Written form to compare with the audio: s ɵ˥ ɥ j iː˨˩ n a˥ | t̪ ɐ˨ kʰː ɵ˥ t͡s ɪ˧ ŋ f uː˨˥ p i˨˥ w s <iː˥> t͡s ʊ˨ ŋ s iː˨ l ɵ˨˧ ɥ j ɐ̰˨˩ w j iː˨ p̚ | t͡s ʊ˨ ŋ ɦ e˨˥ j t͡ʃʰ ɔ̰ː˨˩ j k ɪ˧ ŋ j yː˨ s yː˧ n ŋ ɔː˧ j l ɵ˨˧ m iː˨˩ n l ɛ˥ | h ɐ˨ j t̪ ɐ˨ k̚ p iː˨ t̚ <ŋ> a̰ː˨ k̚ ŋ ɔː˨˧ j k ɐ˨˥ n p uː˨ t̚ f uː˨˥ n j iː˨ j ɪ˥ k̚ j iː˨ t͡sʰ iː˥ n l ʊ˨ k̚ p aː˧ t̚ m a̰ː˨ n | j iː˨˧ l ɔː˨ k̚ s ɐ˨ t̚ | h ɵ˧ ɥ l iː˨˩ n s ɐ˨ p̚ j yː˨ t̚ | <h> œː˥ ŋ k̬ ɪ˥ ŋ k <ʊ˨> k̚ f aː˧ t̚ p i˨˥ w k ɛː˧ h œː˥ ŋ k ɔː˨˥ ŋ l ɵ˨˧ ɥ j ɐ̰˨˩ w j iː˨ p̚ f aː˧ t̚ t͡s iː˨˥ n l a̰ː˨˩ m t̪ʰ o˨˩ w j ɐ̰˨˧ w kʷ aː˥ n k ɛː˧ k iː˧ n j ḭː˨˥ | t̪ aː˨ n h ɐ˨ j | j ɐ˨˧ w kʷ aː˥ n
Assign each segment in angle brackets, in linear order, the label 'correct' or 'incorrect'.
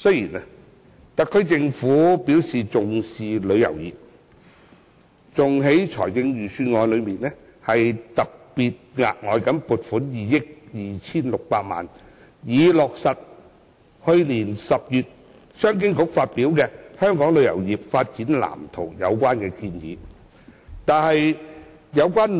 incorrect, correct, incorrect, incorrect

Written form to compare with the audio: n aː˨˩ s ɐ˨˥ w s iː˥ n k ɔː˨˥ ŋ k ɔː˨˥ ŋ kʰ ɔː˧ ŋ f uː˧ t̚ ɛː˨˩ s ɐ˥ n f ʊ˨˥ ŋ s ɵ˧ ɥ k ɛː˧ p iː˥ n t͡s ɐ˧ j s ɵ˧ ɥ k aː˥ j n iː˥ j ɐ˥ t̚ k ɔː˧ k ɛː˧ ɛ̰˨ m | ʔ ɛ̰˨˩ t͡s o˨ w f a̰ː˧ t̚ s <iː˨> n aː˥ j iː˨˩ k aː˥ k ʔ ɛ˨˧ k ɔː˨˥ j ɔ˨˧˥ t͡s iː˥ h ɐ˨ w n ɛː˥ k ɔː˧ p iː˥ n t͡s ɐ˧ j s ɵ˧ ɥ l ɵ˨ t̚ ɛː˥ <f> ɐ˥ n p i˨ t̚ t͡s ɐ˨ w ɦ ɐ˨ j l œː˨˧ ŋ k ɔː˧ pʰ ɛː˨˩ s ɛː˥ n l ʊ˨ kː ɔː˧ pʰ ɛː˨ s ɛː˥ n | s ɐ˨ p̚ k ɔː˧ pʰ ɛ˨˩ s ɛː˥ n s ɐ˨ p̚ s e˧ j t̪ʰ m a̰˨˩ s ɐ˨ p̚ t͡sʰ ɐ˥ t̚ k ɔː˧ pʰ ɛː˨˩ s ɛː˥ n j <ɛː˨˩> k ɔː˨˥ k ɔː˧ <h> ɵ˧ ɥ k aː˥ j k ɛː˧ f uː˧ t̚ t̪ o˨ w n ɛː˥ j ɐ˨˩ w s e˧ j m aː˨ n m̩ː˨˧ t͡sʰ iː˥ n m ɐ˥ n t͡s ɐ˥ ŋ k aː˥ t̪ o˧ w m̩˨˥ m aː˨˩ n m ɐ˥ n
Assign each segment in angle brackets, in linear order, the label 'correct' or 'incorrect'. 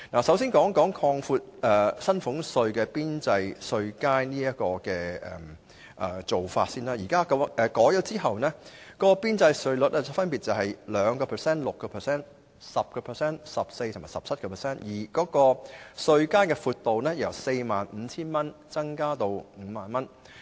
incorrect, correct, incorrect, incorrect

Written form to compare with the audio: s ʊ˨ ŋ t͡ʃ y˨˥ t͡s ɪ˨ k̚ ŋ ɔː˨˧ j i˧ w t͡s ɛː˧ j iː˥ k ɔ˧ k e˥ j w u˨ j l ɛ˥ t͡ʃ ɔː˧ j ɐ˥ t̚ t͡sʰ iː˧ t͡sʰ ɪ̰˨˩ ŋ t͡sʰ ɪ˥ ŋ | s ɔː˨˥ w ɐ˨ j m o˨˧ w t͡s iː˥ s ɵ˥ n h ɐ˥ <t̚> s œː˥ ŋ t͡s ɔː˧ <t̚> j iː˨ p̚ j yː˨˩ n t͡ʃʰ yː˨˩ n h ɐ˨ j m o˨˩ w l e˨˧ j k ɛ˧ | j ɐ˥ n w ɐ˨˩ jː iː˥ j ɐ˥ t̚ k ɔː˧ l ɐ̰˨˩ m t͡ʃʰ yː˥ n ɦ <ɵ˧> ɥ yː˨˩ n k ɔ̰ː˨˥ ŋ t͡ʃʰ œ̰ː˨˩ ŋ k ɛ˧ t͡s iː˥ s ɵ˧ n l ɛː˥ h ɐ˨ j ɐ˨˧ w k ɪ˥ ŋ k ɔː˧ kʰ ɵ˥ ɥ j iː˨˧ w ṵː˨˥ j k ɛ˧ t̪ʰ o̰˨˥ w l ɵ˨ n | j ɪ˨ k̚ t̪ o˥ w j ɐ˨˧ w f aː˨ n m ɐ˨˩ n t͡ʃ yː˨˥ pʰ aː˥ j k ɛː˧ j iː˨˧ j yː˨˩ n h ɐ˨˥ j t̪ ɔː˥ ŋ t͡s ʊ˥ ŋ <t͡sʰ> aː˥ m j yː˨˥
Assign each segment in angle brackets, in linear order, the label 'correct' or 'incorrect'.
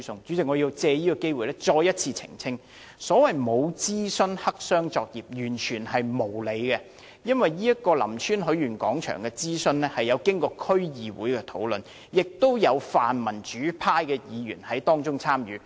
incorrect, incorrect, incorrect, correct

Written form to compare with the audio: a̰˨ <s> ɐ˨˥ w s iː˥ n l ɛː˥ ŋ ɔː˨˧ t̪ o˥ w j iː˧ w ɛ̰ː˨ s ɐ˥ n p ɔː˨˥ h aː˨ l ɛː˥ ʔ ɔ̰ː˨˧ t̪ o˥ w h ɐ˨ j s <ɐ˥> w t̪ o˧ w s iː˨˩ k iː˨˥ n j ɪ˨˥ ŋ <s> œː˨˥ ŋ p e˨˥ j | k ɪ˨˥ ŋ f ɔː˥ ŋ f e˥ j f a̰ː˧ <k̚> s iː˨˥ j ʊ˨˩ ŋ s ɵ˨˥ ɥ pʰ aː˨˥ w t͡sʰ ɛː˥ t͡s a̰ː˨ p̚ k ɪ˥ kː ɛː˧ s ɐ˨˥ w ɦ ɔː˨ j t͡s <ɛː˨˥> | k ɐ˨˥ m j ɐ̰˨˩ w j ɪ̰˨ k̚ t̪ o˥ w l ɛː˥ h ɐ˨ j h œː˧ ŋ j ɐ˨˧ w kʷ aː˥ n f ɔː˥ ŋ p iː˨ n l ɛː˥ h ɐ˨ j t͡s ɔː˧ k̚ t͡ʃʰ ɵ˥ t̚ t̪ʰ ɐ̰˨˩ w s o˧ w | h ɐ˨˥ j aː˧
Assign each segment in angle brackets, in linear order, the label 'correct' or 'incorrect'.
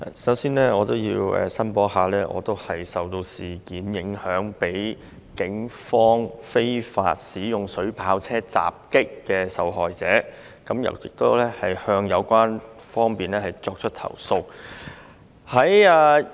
correct, incorrect, incorrect, incorrect, correct

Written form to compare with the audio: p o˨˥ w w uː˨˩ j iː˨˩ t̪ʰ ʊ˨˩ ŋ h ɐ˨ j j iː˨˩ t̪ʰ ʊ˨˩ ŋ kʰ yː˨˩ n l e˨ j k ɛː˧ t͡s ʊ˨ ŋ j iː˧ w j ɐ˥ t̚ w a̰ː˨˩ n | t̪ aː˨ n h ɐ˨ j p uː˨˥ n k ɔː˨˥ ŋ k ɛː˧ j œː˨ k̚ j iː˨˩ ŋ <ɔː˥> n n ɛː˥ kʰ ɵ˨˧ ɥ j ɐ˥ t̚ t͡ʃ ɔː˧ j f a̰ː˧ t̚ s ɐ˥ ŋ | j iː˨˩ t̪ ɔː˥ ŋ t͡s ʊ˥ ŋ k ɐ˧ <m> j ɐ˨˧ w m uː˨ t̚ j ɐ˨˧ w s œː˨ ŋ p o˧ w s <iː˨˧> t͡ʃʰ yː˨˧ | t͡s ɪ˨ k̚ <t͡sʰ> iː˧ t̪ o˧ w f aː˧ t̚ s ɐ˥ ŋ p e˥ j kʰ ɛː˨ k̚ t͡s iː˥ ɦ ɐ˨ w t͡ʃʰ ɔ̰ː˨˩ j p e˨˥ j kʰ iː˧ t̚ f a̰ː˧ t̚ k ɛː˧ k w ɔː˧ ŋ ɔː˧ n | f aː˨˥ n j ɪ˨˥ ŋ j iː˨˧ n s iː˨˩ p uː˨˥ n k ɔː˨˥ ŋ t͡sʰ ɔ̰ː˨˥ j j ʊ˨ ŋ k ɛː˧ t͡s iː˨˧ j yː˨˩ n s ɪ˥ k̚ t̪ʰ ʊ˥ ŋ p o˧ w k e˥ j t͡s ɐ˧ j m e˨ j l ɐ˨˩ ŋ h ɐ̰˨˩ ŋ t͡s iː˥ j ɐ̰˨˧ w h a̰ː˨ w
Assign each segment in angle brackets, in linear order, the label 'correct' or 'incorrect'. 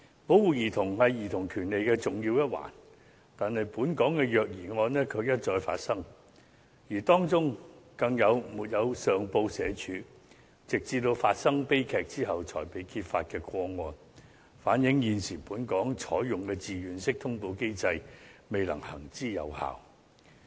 incorrect, incorrect, incorrect, incorrect

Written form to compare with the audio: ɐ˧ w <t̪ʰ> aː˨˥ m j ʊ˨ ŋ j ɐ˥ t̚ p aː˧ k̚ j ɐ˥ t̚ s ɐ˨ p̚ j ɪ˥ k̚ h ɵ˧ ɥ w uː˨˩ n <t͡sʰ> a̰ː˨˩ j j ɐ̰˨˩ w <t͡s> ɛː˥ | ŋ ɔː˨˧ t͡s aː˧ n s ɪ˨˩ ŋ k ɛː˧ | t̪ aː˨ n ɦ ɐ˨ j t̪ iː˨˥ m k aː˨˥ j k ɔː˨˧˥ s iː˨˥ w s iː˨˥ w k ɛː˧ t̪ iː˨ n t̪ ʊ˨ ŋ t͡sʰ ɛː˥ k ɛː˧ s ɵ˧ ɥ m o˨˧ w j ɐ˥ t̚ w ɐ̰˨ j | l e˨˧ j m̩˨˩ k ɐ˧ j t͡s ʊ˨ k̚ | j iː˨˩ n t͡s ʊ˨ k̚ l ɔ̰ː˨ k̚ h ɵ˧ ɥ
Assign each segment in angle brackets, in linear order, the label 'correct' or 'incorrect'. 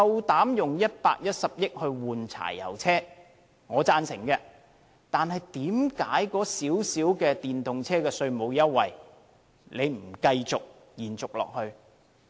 incorrect, correct, incorrect

